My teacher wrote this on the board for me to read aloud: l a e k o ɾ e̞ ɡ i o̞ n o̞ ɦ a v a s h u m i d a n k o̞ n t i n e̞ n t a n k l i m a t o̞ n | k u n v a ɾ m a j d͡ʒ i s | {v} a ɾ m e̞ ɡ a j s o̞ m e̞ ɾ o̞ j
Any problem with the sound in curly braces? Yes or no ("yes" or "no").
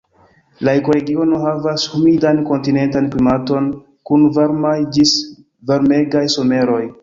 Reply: no